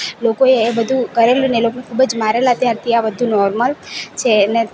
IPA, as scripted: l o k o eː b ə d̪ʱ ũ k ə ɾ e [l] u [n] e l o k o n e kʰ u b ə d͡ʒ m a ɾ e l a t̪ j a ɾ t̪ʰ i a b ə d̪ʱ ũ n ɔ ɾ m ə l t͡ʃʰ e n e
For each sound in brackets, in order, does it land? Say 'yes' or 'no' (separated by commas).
yes, yes